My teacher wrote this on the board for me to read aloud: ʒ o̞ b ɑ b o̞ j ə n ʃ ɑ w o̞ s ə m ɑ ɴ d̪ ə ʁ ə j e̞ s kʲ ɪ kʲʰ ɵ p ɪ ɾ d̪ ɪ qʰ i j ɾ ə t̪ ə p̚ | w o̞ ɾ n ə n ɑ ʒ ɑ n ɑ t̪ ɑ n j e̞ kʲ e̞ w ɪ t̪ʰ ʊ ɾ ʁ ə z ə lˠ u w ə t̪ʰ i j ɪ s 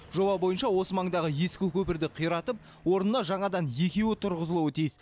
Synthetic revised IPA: ʒ o̞ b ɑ b o̞ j ə n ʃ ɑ w o̞ s ə m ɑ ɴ d̪ ɑ ʁ ə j e̞ s kʲ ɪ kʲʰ ɵ p ɪ ɾ d̪ ɪ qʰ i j ɾ ɑ t̪ ə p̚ | w o̞ ɾ n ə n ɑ ʒ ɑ ɴ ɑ d̪ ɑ n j e̞ kʲ e̞ w ɪ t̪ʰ ʊ ɾ ʁ ə z ə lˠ u w ə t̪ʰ i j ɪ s